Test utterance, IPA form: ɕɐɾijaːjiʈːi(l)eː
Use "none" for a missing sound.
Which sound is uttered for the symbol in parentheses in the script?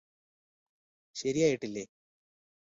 lː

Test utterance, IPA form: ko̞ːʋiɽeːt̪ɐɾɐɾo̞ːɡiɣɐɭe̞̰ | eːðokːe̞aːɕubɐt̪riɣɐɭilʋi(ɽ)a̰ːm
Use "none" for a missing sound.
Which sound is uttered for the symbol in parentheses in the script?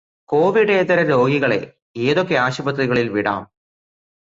ɽ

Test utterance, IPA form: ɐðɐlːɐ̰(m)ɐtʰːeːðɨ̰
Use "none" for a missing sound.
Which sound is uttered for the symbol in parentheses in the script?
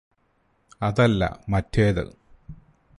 m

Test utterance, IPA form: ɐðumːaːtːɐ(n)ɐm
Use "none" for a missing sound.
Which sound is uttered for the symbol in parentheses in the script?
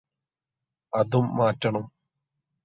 ɳ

